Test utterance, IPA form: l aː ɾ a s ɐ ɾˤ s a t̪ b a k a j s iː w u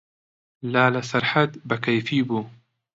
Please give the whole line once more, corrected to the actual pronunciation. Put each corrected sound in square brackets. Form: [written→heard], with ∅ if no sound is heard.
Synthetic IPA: l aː [ɾ→l] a s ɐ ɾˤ [s→ħ] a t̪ b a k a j [s→f] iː [w→b] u